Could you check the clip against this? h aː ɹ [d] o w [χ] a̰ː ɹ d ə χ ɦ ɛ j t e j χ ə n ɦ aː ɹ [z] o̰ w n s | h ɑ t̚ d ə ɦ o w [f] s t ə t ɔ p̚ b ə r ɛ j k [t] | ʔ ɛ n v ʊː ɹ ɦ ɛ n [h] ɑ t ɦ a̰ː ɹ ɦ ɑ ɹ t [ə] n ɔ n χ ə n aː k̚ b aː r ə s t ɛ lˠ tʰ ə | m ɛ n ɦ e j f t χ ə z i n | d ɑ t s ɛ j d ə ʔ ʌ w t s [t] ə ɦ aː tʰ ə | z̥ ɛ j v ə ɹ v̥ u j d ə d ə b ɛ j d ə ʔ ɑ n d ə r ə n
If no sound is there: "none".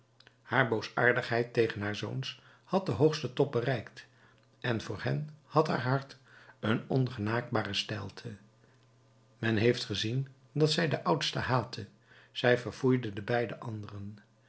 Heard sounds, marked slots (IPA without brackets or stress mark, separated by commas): b, s, z, χ, t, h, ə, t